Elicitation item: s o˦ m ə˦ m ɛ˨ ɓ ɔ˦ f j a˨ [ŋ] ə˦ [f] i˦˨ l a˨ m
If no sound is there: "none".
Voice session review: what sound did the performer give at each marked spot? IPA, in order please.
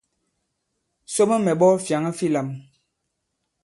ŋ, f

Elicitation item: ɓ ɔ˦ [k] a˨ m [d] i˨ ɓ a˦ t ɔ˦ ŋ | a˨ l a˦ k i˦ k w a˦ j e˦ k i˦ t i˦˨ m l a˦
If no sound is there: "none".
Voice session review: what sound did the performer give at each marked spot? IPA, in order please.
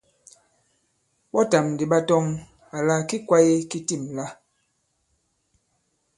t, d

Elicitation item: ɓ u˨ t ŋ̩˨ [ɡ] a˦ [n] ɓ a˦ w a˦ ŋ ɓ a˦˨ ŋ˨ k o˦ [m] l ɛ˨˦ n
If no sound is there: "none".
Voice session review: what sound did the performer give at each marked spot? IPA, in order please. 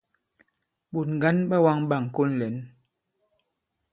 ɡ, n, n

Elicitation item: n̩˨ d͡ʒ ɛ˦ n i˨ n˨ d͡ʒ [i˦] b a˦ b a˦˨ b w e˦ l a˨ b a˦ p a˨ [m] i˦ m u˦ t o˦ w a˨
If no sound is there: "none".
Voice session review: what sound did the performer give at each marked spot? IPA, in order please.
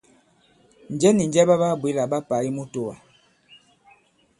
ɛ˦, none

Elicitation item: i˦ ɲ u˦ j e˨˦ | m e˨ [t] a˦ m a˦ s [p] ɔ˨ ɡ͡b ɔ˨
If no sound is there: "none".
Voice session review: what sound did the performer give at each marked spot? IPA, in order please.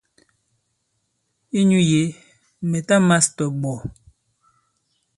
t, t

